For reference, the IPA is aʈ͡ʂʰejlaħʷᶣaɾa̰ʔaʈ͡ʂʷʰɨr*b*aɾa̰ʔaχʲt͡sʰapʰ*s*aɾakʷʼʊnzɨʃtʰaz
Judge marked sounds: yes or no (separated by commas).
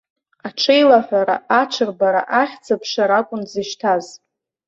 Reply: yes, no